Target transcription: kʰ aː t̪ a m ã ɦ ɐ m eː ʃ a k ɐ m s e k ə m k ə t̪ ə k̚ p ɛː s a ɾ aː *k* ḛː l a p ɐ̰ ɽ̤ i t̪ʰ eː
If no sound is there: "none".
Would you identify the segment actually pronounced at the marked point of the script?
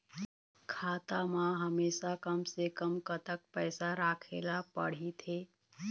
kʰ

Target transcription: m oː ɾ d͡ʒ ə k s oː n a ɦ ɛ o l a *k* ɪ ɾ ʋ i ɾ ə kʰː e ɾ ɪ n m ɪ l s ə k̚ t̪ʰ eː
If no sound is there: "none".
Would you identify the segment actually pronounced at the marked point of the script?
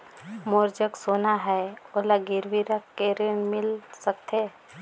ɡ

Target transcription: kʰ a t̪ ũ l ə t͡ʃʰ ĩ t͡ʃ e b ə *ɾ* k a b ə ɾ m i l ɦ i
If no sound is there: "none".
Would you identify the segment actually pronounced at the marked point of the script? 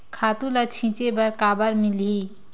ɾ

